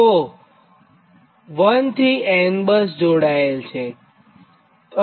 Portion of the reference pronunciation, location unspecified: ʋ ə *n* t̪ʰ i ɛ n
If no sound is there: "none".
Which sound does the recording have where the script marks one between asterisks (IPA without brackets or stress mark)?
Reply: n